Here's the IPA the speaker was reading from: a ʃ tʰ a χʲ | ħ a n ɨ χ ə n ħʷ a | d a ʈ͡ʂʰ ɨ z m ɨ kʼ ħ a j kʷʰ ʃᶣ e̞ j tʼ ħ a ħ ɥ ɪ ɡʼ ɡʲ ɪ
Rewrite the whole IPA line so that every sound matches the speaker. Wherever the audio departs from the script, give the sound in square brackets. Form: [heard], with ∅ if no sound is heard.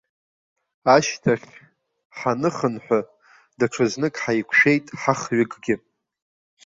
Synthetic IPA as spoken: a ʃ tʰ a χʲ | ħ a n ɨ χ ə n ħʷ a | d a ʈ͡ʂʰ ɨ z [n] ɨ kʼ ħ a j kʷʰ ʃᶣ e̞ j tʼ ħ a [χ] ɥ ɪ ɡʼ ɡʲ ɪ